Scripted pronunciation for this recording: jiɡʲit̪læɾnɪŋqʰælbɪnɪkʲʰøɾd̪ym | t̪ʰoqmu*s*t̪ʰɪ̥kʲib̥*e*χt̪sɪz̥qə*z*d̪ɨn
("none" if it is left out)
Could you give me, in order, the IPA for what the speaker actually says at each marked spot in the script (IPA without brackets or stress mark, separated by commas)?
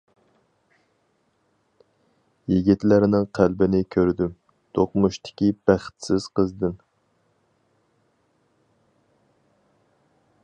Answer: ʃ, æ, z